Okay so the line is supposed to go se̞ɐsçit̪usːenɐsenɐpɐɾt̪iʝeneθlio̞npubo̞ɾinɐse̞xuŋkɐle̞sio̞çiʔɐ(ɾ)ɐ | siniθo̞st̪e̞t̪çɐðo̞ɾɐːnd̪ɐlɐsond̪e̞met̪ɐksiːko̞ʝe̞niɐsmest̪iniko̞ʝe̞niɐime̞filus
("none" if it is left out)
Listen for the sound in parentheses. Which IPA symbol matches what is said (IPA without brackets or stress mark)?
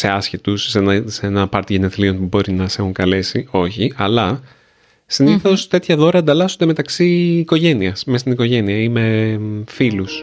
l